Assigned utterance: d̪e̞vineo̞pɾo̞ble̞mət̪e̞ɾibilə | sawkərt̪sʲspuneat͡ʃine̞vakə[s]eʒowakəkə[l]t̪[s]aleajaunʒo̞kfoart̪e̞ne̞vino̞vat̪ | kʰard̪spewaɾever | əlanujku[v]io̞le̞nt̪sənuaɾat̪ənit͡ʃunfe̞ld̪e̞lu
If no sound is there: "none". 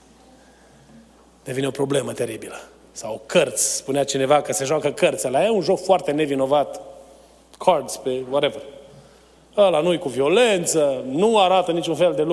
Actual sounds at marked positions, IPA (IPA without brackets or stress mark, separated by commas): s, r, s, v